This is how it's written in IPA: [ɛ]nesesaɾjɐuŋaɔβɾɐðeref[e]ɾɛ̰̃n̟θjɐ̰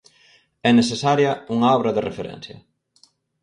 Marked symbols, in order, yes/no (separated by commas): yes, yes